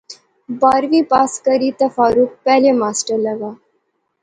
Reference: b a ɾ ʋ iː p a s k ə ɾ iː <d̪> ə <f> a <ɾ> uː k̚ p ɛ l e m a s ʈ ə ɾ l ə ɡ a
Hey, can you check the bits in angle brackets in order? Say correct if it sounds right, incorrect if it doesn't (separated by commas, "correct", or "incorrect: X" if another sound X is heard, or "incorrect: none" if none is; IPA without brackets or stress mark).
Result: incorrect: t̪, correct, correct